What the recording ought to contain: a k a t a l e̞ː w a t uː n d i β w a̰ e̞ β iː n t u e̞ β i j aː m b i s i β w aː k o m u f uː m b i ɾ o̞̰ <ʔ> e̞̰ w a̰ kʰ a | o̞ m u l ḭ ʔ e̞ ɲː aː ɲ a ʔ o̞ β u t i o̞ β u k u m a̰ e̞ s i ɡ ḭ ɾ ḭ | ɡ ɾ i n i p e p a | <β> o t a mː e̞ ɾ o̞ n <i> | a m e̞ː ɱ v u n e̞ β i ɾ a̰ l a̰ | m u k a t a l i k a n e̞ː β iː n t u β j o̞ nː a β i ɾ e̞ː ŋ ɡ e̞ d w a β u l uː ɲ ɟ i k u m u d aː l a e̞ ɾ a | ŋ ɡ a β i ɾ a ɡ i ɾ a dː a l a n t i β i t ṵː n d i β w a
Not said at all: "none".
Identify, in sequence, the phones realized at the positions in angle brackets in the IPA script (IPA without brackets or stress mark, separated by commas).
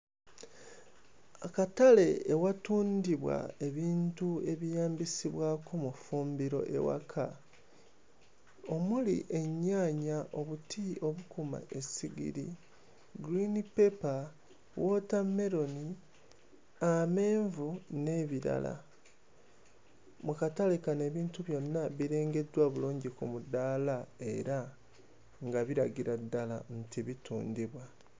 ʔ, w, i